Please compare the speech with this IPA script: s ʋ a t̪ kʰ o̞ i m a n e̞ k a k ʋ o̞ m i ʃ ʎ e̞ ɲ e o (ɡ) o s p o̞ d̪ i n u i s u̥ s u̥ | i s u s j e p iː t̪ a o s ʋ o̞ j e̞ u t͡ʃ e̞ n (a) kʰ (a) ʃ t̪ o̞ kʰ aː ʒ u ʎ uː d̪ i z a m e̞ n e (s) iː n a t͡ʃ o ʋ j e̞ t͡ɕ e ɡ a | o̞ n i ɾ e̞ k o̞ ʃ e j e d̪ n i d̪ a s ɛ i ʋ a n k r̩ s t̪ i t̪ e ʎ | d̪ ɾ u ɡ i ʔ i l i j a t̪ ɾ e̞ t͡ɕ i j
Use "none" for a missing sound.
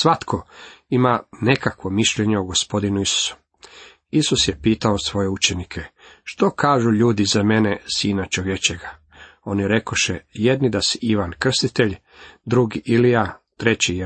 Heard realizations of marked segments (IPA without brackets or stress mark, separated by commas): ɡ, i, e, s